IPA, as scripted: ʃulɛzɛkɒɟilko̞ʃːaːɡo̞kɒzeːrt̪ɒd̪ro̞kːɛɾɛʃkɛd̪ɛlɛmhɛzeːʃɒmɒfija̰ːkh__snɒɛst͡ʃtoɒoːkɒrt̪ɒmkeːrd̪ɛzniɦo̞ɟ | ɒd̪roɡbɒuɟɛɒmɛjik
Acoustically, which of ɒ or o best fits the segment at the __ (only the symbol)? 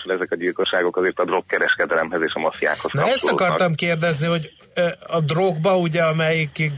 o